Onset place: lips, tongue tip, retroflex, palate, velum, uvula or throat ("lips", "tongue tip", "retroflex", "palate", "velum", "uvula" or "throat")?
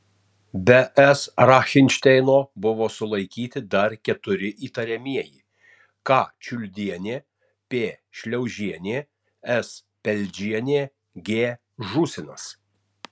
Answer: lips